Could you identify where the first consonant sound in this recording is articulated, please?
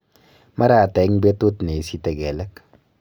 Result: labial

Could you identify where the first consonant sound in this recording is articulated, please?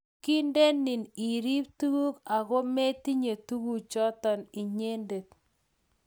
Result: velar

